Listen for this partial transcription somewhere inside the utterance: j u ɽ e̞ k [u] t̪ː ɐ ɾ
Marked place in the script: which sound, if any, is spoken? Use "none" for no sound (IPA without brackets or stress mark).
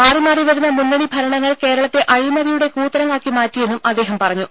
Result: uː